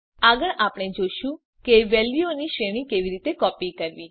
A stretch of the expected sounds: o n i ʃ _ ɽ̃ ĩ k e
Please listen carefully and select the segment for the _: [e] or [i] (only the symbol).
e